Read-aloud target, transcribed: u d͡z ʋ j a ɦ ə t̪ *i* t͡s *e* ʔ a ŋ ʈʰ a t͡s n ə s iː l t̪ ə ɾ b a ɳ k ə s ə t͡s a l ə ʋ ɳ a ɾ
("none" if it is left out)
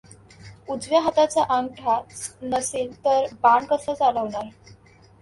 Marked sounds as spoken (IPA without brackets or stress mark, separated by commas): a, a